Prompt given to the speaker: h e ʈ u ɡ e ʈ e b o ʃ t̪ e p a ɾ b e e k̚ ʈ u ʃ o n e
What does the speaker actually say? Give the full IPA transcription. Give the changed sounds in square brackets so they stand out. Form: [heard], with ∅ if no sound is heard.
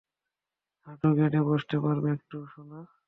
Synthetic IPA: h [a] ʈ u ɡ e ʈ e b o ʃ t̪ e p a ɾ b e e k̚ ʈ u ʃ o n [a]